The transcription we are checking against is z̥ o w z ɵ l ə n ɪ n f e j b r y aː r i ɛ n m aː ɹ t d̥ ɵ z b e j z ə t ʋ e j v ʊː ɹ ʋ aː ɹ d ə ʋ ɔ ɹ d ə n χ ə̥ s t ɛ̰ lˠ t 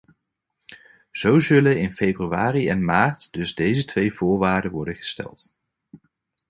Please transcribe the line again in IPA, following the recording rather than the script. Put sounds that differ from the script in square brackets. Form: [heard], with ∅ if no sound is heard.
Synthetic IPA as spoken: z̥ o w z ɵ l ə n ɪ n f e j b r y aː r i ɛ n m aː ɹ t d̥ ɵ z [d] e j z ə t ʋ e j v ʊː ɹ ʋ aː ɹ d ə ʋ ɔ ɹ d ə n χ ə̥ s t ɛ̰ lˠ t